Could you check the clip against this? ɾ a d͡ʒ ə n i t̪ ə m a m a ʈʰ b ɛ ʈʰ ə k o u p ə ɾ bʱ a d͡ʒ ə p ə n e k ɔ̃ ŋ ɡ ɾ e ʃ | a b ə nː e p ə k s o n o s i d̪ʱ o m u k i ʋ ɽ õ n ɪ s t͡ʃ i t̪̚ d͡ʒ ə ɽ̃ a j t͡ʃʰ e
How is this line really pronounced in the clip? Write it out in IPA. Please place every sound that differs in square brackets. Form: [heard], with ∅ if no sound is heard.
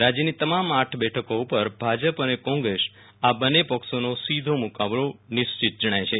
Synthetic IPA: ɾ a d͡ʒ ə n i t̪ ə m a m a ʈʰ b ɛ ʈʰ ə k o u p ə ɾ bʱ a d͡ʒ ə p ə n e k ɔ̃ ŋ ɡ ɾ e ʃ | a b ə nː e p ə k s o n o s i d̪ʱ o m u k [a] ʋ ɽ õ n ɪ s t͡ʃ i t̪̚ d͡ʒ ə ɽ̃ a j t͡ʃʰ e